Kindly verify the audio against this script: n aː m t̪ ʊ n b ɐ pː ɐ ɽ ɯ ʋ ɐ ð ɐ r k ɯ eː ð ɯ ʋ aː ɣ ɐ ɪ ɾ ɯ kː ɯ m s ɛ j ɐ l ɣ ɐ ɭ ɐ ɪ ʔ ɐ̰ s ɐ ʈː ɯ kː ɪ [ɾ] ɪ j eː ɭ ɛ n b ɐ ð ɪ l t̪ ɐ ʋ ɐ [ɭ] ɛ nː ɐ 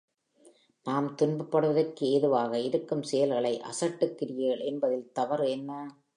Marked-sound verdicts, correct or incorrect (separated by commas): correct, incorrect